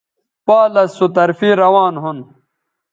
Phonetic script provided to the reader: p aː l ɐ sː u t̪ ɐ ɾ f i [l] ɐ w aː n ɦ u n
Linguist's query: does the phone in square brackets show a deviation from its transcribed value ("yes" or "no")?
yes